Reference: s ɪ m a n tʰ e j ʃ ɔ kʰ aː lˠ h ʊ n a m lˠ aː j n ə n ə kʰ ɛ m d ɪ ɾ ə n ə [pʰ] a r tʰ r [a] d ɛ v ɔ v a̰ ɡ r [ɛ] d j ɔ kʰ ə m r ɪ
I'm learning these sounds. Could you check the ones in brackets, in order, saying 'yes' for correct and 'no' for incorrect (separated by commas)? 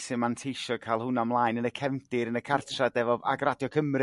no, yes, no